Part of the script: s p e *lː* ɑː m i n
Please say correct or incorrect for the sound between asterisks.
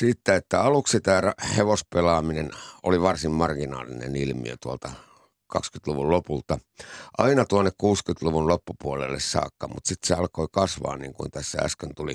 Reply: incorrect